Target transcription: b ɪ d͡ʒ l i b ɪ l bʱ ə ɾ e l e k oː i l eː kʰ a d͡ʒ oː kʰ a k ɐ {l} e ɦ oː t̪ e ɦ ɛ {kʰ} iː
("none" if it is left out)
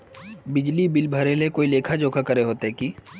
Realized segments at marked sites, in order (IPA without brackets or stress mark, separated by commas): ɾ, k